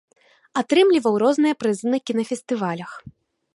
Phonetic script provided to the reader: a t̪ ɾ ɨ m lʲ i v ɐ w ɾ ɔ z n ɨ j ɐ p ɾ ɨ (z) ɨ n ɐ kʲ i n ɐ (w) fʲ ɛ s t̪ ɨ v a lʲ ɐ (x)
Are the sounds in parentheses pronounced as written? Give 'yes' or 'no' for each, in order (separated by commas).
yes, no, yes